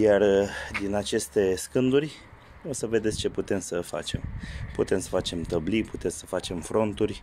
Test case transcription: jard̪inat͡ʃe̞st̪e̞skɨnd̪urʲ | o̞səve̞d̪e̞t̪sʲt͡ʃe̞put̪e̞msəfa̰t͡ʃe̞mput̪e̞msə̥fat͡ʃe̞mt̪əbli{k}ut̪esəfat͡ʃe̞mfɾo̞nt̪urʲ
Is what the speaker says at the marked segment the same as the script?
no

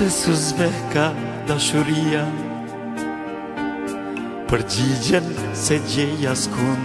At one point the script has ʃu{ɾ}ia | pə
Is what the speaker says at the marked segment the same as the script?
yes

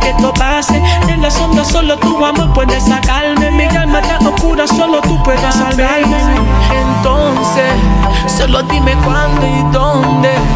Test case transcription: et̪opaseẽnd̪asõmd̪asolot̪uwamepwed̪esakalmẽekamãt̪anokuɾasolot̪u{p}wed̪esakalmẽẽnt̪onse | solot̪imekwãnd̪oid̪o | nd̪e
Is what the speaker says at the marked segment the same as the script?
yes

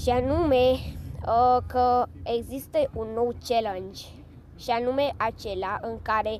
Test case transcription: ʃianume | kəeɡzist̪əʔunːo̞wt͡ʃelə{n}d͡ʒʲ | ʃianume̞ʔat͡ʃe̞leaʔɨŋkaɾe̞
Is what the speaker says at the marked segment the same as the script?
yes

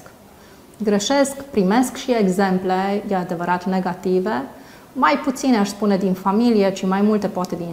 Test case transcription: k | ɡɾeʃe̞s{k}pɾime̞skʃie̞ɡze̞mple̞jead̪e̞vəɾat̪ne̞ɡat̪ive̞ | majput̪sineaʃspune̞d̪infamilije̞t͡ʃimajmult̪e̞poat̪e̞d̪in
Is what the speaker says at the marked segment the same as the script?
yes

